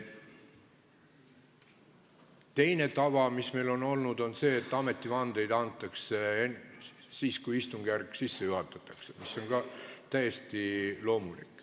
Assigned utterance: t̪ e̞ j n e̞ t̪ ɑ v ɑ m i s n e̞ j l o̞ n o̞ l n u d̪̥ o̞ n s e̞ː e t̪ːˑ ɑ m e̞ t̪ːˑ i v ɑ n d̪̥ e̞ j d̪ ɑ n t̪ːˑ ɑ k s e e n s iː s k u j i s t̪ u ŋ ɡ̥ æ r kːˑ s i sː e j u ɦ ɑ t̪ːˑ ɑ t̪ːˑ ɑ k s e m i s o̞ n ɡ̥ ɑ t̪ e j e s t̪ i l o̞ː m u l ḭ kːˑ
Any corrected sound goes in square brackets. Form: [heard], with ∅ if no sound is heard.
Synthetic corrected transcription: t̪ e̞ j n e̞ t̪ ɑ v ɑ m i s [m] e̞ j l o̞ n o̞ l n u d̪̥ o̞ n s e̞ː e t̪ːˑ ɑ m e̞ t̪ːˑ i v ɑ n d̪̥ e̞ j d̪ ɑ n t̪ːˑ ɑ k s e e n s iː s k u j i s t̪ u ŋ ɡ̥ æ r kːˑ s i sː e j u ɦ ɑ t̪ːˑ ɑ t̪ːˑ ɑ k s e m i s o̞ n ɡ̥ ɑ t̪ [æ] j e s t̪ i l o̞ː m u l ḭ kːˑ